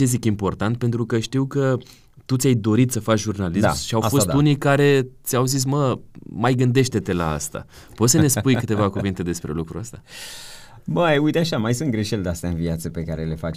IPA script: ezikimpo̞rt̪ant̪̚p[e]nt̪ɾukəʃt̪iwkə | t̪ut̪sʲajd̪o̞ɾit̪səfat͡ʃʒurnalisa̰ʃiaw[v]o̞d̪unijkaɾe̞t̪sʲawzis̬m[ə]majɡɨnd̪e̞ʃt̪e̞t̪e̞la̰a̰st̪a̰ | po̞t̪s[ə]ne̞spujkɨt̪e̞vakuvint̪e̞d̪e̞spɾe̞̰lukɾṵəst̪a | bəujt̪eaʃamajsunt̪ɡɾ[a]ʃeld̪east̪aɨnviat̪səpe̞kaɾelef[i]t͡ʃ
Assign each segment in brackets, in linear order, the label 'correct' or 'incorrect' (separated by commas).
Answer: correct, incorrect, correct, correct, incorrect, incorrect